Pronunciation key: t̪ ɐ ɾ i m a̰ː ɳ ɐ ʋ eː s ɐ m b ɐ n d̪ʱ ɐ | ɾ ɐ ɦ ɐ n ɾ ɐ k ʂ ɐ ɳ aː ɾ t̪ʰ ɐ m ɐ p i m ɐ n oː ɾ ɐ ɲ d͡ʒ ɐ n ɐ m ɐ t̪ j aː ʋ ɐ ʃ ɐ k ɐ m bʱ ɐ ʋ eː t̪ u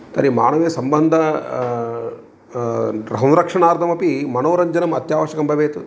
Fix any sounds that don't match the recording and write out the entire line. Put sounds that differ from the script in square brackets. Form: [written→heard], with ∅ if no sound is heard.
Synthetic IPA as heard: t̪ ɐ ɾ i m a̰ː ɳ ɐ ʋ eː s ɐ m b ɐ n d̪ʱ ɐ | ɾ ɐ ɦ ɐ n ɾ ɐ k ʂ ɐ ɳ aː ɾ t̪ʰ ɐ m ɐ p i m ɐ n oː ɾ ɐ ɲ d͡ʒ ɐ n ɐ m ɐ t̪ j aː ʋ ɐ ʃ ɐ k ɐ m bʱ ɐ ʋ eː t̪ u